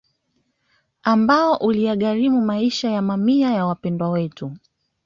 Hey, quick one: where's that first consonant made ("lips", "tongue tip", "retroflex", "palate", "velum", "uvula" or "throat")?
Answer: lips